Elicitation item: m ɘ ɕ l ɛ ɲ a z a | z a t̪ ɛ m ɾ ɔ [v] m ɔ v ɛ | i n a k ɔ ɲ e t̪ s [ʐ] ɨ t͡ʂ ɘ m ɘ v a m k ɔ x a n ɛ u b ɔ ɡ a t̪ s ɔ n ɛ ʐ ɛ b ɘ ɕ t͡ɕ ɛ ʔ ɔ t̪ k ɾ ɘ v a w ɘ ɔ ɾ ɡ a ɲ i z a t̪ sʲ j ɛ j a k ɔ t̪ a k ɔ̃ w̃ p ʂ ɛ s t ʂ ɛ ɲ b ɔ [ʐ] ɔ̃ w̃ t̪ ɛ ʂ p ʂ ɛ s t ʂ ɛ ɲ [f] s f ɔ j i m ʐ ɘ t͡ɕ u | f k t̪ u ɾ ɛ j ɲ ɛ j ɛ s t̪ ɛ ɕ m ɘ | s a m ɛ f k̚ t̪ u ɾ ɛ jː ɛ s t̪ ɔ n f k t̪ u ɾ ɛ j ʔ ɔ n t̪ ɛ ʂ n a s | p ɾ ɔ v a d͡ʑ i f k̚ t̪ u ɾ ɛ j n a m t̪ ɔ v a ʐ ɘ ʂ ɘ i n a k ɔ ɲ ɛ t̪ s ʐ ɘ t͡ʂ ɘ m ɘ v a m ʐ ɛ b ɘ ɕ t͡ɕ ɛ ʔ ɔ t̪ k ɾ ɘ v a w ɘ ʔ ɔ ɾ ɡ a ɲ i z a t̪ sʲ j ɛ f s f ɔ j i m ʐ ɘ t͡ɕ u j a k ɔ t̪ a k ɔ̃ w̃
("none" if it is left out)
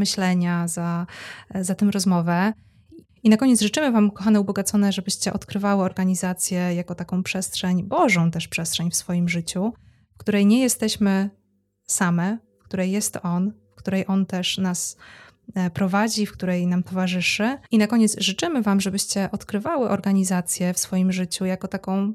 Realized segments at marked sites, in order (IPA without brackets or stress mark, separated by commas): z, ʐ, ʐ, f